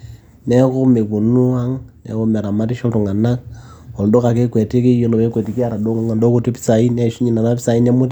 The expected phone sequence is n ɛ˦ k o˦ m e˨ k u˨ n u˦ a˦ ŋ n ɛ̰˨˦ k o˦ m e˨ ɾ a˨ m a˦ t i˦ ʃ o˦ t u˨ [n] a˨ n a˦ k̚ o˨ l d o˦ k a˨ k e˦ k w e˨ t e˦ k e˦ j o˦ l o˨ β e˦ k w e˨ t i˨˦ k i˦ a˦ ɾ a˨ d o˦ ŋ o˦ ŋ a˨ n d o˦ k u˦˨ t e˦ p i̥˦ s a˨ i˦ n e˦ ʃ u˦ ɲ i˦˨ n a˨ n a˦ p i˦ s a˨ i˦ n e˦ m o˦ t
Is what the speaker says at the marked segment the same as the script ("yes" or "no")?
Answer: no